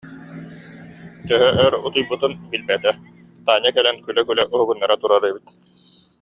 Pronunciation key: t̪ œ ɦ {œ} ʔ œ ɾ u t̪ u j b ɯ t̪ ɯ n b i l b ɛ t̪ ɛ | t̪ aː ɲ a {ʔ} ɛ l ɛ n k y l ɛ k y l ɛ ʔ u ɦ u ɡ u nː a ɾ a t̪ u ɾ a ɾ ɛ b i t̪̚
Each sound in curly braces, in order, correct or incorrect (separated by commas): correct, incorrect